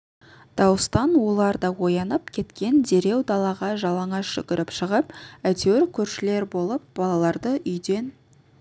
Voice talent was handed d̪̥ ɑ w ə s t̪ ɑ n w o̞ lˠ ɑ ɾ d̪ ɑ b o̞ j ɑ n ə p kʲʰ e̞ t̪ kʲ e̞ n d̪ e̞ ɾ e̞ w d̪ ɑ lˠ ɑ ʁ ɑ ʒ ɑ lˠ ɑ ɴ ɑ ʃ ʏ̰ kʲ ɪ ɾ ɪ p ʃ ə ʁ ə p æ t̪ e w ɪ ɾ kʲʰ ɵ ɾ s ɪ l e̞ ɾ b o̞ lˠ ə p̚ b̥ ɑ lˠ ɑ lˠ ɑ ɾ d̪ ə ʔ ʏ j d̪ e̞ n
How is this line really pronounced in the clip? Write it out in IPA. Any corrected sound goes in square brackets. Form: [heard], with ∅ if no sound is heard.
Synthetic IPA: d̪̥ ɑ w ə s t̪ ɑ n w o̞ lˠ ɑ ɾ d̪ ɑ [w] o̞ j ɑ n ə p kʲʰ e̞ t̪ kʲ e̞ n d̪ e̞ ɾ e̞ w d̪ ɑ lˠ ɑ ʁ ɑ ʒ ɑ lˠ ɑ ɴ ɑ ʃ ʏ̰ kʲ ɪ ɾ ɪ p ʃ ə ʁ ə p æ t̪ e w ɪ ɾ kʲʰ ɵ ɾ [ʃ] ɪ l e̞ ɾ b o̞ lˠ ə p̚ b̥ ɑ lˠ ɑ lˠ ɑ ɾ d̪ ə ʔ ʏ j d̪ e̞ n